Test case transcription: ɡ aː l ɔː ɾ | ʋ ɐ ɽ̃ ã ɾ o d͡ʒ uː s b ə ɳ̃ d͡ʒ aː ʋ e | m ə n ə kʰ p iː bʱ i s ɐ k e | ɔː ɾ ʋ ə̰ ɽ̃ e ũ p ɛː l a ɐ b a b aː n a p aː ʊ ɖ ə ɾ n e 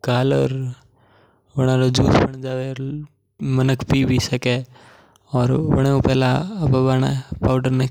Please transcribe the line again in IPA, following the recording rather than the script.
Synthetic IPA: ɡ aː l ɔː ɾ | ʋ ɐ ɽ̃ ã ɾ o d͡ʒ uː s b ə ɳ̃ d͡ʒ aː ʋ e | m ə n ə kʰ p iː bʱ i s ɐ k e | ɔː ɾ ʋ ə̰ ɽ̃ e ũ p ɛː l a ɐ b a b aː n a p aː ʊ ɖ ə ɾ n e